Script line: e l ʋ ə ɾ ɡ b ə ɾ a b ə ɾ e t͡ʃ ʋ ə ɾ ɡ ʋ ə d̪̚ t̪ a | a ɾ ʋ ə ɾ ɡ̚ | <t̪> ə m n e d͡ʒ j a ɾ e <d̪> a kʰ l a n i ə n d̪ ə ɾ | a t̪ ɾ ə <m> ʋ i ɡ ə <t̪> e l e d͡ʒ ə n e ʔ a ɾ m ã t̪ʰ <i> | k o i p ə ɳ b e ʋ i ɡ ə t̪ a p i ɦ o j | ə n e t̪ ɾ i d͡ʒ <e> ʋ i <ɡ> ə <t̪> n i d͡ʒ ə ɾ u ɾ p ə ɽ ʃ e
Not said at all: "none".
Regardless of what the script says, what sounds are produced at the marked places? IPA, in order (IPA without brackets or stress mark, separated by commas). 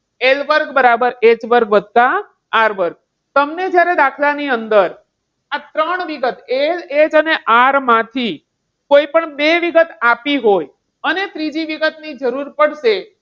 t̪, d̪, ɳ, t̪, i, i, ɡ, t̪